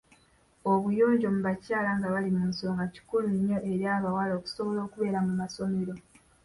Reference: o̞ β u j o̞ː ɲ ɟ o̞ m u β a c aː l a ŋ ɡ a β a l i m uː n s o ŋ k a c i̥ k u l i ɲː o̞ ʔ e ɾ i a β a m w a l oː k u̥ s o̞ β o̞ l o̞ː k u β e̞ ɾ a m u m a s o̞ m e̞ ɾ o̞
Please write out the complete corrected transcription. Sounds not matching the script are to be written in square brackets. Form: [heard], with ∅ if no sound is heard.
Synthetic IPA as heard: o̞ β u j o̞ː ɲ ɟ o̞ m u β a c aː l a ŋ ɡ a β a l i m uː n s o ŋ [ɡ] a c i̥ k u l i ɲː o̞ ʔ e ɾ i a β a [∅] w a l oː k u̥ s o̞ β o̞ l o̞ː k u β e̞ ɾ a m u m a s o̞ m e̞ ɾ o̞